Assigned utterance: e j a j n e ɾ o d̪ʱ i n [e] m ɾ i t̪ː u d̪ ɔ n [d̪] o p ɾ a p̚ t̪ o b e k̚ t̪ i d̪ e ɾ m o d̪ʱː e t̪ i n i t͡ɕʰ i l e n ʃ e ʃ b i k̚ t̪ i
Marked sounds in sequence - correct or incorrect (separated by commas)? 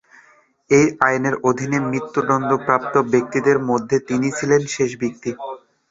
correct, correct